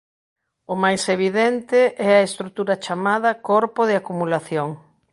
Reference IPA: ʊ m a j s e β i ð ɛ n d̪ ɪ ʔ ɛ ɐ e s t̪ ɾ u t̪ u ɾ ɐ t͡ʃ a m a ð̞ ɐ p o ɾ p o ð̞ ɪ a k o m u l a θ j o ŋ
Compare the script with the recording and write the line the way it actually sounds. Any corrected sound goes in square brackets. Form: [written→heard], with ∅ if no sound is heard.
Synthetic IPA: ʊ m a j s e β i ð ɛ n [d̪→t̪] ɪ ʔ ɛ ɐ e s t̪ ɾ u t̪ u ɾ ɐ t͡ʃ a m a ð̞ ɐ [p→k] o ɾ p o ð̞ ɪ a k [o→u] m u l a θ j o ŋ

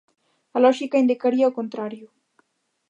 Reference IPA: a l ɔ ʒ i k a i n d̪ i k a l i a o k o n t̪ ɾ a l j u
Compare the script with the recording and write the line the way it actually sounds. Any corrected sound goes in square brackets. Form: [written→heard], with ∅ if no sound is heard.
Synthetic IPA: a l ɔ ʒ i k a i n d̪ i k a [l→ɾ] i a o k o n t̪ ɾ a [l→ɾ] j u

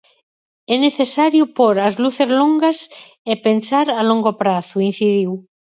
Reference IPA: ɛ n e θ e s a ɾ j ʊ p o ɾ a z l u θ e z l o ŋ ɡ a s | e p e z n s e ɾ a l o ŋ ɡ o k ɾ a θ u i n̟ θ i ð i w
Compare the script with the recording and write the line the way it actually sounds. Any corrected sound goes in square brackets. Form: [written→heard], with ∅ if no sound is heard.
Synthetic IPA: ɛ n e θ e s a ɾ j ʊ p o ɾ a z l u θ e z l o ŋ ɡ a s | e p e [z→∅] n s [e→a] ɾ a l o ŋ ɡ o [k→p] ɾ a θ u i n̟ θ i ð i w

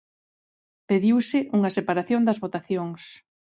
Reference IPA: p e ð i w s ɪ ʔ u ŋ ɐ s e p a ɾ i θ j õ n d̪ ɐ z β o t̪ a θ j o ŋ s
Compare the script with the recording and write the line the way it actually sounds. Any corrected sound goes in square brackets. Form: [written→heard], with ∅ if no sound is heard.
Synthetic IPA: p e ð i w s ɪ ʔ u ŋ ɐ s e p a ɾ [i→a] θ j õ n d̪ ɐ z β o t̪ a θ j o ŋ s

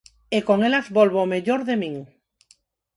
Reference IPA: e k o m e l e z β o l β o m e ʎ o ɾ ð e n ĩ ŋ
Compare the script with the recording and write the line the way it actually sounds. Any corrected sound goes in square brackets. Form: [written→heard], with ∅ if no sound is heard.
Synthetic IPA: e k o [m→ŋ] e l [e→a] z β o l β o m e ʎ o ɾ ð e [n→m] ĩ ŋ

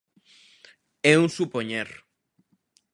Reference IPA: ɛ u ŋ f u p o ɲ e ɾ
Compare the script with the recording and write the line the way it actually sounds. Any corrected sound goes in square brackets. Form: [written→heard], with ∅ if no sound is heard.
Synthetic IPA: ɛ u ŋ [f→s] u p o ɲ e ɾ

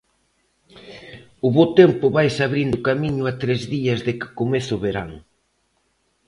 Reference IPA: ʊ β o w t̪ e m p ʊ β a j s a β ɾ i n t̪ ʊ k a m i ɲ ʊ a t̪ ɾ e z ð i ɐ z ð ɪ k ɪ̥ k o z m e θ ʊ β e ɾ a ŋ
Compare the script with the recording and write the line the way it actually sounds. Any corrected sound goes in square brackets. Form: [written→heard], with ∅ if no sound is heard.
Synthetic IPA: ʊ β o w t̪ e m p ʊ β a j s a β ɾ i n [t̪→d̪] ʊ k a m i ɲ ʊ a t̪ ɾ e z ð i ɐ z ð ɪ k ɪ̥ k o [z→∅] m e θ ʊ β e ɾ a ŋ

